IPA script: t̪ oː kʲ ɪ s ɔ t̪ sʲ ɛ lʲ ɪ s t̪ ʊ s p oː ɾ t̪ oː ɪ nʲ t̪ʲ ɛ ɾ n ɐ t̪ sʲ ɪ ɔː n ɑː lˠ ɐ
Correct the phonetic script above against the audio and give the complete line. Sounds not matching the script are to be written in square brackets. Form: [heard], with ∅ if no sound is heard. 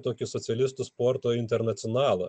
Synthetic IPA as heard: t̪ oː kʲ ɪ s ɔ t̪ sʲ ɛ lʲ ɪ s t̪ ʊ s p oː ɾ t̪ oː ɪ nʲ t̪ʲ ɛ ɾ n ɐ t̪ sʲ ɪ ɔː n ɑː lˠ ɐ